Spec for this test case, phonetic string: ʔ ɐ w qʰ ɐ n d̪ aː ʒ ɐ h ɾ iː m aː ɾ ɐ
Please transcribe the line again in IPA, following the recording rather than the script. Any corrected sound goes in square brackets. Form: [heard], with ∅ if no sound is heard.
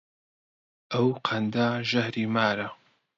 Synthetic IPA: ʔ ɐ w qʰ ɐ n d̪ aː ʒ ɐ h ɾ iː m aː ɾ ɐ